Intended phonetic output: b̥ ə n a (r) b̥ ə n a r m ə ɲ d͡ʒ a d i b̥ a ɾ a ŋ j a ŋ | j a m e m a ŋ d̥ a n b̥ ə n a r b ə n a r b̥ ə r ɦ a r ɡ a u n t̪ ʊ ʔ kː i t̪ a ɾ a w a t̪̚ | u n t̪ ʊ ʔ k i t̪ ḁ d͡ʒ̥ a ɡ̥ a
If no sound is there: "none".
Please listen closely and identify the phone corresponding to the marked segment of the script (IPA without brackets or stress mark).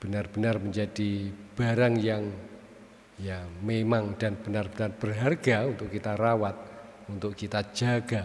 r